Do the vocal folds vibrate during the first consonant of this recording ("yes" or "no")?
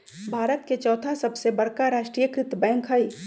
yes